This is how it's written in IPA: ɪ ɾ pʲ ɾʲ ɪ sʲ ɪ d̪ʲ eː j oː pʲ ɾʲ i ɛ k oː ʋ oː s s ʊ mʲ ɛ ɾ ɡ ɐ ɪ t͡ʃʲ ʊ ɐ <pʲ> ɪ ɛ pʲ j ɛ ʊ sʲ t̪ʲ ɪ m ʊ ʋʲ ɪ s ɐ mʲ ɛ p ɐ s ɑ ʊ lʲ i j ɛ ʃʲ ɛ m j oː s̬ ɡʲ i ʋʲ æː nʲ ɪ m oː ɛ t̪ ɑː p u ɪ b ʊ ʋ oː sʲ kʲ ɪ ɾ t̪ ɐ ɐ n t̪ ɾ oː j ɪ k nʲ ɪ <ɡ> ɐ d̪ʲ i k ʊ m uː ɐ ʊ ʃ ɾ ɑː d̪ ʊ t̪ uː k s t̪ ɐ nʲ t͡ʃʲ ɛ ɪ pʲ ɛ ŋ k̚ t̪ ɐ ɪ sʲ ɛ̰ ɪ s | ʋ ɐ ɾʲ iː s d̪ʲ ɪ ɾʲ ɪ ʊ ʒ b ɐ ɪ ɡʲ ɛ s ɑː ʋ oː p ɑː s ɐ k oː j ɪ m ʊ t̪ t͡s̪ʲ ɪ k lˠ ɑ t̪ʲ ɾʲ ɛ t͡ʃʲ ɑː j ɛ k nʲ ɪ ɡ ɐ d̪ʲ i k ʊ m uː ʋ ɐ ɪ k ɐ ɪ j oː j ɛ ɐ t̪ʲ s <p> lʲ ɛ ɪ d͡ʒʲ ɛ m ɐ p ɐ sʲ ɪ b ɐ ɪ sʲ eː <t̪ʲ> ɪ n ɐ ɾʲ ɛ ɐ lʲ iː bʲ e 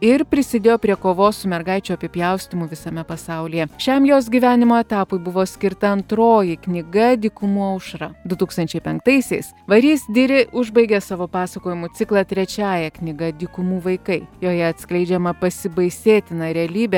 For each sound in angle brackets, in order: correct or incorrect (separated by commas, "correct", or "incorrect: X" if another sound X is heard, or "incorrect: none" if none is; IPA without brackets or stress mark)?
correct, correct, incorrect: k, correct